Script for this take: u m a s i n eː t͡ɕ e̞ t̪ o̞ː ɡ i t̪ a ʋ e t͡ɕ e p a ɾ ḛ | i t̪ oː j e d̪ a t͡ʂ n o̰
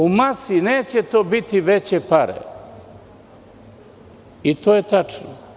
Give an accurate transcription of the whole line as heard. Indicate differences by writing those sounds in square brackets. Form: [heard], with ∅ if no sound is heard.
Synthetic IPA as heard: u m a s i n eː t͡ɕ e̞ t̪ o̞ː [b] i t̪ [i] ʋ e t͡ɕ e p a ɾ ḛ | i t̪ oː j e [t̪] a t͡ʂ n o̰